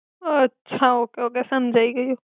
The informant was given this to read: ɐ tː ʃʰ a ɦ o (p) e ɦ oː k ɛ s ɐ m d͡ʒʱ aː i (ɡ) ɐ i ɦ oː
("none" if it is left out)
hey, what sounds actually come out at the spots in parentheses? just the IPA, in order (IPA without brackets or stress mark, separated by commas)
k, ɡ